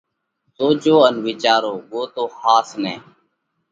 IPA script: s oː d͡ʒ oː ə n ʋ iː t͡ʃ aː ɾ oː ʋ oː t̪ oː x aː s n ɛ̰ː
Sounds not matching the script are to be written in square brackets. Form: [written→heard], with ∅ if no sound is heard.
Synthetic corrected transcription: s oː d͡ʒ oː ə n ʋ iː t͡ʃ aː ɾ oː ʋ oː t̪ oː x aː s n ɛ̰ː